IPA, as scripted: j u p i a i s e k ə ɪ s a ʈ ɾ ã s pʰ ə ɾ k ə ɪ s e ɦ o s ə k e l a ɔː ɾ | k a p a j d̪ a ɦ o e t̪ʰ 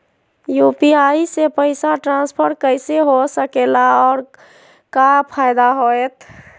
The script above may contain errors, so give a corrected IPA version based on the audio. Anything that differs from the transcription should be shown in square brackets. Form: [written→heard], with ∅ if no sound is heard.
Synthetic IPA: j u p i a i s e [k→p] ə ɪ s a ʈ ɾ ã s pʰ ə ɾ k ə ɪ s e ɦ o s ə k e l a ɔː ɾ | k a [p→pʰ] a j d̪ a ɦ o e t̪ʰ